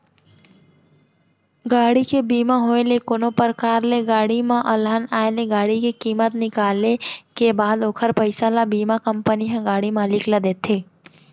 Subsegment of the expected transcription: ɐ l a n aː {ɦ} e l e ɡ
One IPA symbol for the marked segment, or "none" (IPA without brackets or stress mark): none